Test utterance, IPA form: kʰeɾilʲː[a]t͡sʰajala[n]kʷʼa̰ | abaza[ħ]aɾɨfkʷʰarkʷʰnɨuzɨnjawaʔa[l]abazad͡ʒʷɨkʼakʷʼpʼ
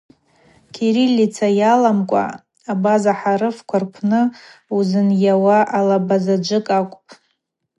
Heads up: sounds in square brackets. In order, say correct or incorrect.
incorrect: i, incorrect: m, correct, correct

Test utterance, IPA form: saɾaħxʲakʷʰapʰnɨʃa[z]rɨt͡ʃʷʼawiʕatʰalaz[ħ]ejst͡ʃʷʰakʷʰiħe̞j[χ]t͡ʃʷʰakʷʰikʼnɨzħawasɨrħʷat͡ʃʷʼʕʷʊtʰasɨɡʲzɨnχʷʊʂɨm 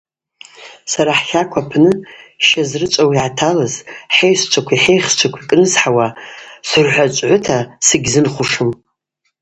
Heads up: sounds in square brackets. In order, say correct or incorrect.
correct, correct, correct

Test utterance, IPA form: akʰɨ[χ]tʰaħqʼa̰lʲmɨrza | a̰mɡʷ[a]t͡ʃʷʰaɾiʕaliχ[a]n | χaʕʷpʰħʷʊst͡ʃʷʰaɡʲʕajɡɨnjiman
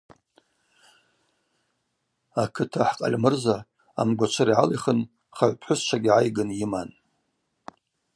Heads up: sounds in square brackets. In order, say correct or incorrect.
incorrect: none, correct, incorrect: ə

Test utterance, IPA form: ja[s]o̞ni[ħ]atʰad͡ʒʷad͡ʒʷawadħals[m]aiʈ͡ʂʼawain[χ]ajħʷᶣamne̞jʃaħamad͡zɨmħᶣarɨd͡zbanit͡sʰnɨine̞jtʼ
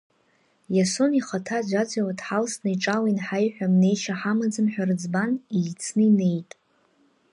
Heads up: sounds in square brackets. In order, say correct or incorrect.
correct, incorrect: χ, incorrect: n, incorrect: ħ

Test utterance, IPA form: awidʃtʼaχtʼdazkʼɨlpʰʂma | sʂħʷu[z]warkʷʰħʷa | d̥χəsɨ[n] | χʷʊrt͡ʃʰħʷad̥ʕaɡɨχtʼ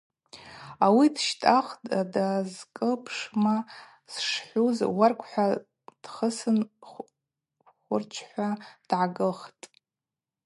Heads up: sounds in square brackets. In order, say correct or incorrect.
correct, correct

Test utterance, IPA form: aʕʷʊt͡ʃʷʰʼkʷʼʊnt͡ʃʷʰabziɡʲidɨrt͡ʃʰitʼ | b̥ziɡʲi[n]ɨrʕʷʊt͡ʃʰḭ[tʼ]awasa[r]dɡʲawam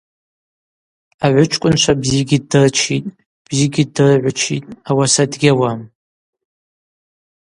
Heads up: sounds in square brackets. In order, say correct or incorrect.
incorrect: d, correct, incorrect: none

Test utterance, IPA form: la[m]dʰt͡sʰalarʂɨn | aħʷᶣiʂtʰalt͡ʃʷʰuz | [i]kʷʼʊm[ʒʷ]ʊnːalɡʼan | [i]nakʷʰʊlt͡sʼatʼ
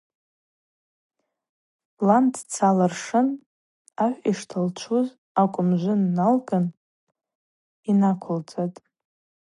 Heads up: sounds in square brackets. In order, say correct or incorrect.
incorrect: n, incorrect: a, correct, correct

